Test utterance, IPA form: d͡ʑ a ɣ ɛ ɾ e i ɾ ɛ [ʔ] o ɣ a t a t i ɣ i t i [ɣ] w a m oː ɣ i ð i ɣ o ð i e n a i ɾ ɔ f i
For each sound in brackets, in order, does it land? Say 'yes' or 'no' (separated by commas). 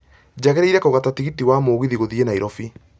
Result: no, no